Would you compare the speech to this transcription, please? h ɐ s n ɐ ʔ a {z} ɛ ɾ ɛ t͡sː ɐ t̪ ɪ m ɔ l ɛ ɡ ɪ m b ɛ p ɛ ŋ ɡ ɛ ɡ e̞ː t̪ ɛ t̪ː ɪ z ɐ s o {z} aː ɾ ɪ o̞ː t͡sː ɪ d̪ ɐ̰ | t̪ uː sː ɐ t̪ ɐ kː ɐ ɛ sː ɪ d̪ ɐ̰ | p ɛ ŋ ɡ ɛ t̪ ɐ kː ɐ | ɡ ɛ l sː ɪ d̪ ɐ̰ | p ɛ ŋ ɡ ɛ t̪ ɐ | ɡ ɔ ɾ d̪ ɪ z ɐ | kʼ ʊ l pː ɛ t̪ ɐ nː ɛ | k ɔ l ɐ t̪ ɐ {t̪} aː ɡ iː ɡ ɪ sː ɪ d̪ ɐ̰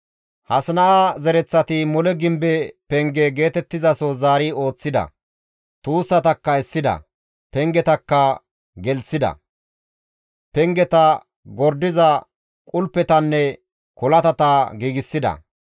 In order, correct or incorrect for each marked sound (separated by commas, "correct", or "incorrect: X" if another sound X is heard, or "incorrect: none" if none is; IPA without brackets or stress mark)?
correct, correct, correct